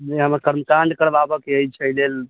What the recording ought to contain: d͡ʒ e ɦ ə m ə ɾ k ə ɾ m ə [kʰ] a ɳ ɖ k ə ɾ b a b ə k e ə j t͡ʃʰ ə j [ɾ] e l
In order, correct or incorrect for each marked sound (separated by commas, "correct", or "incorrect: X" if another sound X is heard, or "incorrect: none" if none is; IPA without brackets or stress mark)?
incorrect: k, incorrect: l